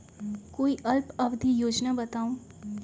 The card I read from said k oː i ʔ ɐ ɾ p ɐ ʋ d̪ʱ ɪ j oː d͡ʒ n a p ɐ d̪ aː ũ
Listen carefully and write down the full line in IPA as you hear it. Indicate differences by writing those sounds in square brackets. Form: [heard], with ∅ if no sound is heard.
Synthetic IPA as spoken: k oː i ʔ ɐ [l] p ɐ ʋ d̪ʱ [i] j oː d͡ʒ n a [b] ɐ [t̪] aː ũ